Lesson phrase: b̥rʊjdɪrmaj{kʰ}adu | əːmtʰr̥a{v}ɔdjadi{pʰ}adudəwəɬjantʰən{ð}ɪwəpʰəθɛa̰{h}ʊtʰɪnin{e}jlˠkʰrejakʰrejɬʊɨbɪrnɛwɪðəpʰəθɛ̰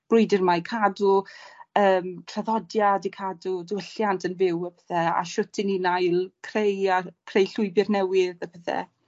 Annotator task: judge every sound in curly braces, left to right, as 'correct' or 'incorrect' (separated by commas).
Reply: correct, incorrect, incorrect, incorrect, incorrect, incorrect